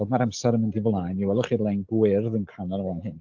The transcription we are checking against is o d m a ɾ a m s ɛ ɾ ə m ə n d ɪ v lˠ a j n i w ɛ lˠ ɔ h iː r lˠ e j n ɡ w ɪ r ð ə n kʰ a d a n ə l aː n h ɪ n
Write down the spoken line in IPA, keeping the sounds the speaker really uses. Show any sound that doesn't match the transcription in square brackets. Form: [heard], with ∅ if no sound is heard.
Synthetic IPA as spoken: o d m a ɾ a m s ɛ ɾ ə m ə n d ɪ v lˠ a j n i w ɛ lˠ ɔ [χ] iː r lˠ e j n ɡ w ɪ r ð ə n kʰ a [n] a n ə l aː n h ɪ n